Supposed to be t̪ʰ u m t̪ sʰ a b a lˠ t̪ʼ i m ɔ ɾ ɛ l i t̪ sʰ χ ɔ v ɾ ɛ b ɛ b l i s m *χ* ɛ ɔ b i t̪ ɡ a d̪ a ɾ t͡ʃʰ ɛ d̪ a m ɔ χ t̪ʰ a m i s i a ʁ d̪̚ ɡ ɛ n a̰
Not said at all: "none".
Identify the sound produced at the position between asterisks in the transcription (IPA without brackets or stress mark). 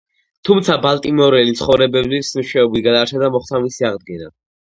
ʃ